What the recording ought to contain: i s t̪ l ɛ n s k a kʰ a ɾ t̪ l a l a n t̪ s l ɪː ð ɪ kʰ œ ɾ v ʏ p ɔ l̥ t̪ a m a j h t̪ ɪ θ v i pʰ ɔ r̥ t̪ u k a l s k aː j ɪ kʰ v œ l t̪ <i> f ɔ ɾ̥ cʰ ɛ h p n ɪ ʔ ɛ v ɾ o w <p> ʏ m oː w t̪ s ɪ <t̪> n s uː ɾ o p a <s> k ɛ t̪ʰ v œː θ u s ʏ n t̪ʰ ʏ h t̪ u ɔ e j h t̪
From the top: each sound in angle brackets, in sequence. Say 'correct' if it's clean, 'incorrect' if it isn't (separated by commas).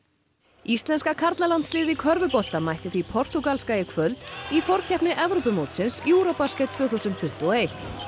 correct, correct, incorrect, correct